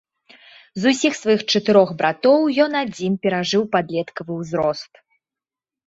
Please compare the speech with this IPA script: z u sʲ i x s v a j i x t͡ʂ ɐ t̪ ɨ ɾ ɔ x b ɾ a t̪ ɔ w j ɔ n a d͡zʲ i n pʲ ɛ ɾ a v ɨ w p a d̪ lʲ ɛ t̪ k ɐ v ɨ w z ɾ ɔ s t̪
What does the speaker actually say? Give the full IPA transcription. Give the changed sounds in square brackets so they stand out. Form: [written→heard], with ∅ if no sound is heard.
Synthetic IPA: z u sʲ i x s v a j i x t͡ʂ ɐ t̪ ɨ ɾ ɔ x b ɾ a t̪ ɔ w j ɔ n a d͡zʲ i n pʲ ɛ ɾ a [v→ʐ] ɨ w p a d̪ lʲ ɛ t̪ k ɐ v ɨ w z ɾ ɔ s t̪